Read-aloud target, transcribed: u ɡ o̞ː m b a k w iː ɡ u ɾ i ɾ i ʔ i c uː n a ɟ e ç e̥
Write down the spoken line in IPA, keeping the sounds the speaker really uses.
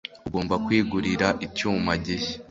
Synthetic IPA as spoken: u ɡ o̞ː m b a k w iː ɡ u ɾ i ɾ a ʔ i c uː m a ɟ e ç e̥